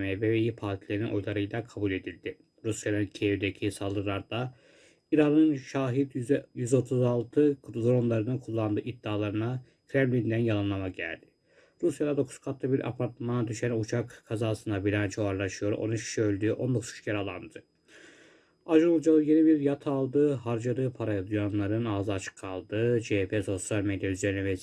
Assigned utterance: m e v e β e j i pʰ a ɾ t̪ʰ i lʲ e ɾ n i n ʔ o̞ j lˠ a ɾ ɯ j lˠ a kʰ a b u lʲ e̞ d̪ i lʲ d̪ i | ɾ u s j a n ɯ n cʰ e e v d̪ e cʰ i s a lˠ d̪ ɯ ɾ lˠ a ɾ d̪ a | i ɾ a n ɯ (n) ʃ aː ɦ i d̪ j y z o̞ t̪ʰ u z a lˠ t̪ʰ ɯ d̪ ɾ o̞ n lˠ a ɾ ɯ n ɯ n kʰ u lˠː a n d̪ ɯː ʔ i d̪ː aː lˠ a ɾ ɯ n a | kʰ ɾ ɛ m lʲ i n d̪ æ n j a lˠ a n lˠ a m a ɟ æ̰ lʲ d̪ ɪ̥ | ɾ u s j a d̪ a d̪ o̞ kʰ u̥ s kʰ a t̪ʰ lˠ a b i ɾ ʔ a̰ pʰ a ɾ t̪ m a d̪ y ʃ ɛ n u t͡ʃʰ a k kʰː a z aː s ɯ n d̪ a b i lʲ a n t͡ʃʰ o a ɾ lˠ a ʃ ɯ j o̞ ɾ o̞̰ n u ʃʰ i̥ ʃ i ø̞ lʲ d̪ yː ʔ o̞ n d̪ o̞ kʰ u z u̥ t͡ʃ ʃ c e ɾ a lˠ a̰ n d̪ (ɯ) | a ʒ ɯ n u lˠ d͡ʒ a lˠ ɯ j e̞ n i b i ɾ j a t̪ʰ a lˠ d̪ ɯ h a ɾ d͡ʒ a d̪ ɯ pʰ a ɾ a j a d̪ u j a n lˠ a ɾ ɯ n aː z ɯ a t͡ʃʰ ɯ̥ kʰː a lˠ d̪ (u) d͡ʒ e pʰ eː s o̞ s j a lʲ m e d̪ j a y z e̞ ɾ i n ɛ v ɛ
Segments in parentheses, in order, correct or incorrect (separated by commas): correct, correct, incorrect